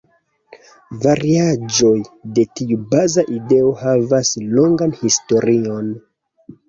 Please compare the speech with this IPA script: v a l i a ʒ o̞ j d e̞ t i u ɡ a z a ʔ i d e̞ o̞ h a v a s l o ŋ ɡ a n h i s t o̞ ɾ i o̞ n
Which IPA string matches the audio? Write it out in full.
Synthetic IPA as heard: v a ɾ i a d͡ʒ o̞ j d e̞ t i u b a z a ʔ i d e̞ o̞ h a v a s l o ŋ ɡ a n h i s t o̞ ɾ i o̞ n